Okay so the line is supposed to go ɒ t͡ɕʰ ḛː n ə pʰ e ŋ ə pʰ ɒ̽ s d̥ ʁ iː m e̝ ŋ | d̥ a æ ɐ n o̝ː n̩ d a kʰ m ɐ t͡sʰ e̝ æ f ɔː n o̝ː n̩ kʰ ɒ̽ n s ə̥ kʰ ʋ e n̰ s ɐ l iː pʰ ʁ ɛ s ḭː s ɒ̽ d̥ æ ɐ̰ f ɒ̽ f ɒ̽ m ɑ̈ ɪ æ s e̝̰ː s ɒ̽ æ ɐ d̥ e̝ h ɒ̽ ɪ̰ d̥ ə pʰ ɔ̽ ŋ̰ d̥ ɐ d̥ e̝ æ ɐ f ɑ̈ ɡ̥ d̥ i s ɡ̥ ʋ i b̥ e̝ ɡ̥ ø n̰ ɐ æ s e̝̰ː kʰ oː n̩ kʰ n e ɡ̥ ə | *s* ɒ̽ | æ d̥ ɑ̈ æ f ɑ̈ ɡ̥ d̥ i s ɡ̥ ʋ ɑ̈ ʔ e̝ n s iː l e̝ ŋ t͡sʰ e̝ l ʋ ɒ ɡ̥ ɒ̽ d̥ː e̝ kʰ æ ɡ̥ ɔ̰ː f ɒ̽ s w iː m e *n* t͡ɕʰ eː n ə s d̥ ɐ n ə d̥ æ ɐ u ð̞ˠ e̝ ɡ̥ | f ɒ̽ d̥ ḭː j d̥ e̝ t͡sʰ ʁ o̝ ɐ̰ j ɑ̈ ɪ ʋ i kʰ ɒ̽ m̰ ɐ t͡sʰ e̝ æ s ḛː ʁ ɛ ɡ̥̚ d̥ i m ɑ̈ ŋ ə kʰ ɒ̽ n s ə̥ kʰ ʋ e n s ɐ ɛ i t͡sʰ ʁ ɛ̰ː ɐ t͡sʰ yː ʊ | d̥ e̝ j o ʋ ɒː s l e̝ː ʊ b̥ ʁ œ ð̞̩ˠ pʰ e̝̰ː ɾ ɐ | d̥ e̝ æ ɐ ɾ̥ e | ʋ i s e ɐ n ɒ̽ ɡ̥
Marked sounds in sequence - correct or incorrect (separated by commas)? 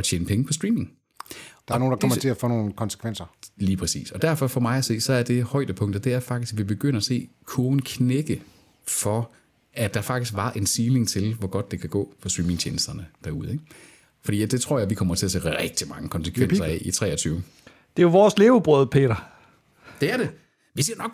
incorrect, incorrect